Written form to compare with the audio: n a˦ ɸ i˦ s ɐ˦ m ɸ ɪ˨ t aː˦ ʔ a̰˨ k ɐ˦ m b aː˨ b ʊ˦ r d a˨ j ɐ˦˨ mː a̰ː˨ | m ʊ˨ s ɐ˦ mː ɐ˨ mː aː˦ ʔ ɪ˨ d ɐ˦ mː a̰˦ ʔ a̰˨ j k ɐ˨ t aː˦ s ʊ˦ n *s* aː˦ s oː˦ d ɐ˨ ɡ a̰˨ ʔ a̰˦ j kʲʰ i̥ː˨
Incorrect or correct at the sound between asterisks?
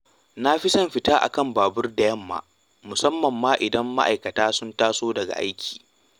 incorrect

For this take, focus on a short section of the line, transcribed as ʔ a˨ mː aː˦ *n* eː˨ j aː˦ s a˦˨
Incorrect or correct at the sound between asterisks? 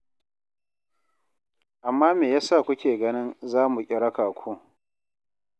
incorrect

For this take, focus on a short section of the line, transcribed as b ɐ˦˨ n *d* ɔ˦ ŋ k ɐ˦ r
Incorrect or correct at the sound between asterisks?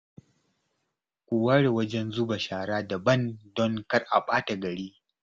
correct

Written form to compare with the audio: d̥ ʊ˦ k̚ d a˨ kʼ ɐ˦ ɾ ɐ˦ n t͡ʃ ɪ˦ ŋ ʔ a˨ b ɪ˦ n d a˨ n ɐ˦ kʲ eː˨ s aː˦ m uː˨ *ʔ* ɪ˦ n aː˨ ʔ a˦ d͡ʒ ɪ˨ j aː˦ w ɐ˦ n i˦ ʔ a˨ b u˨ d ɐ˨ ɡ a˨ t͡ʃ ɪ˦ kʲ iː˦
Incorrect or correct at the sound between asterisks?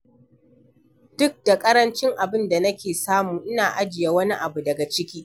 correct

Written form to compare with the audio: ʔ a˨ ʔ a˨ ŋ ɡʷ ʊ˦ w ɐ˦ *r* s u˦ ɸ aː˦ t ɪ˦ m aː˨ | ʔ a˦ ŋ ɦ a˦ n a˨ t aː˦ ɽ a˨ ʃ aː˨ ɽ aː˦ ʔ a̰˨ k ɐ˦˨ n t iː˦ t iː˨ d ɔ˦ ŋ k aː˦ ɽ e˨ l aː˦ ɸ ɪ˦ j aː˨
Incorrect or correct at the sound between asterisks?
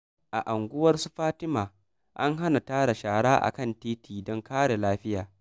correct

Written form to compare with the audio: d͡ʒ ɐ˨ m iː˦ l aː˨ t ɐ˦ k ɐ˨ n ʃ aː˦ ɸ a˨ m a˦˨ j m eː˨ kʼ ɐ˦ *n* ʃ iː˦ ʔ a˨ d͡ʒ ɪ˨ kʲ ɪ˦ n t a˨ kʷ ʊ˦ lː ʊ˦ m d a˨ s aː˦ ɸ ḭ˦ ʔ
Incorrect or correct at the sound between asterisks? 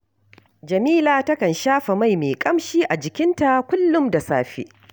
incorrect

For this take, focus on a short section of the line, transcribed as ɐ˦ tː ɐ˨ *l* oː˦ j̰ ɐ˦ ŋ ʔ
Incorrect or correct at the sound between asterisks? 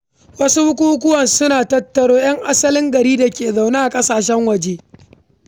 incorrect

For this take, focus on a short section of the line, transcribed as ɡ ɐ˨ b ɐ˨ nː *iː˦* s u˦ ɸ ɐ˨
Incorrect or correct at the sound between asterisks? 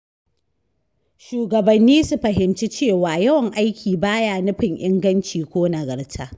correct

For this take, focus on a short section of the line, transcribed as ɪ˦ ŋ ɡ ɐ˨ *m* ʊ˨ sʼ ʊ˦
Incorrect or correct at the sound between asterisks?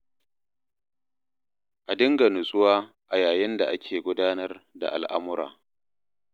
incorrect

